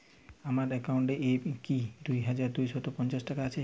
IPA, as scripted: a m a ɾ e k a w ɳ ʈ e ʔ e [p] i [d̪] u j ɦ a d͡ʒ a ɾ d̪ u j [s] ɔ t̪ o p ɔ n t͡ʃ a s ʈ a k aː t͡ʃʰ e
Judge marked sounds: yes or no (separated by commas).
no, yes, yes